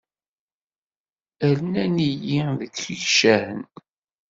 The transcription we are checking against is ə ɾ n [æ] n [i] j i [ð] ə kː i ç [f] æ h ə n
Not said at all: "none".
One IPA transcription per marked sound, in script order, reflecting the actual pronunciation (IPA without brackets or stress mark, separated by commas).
æ, i, ð, ʃ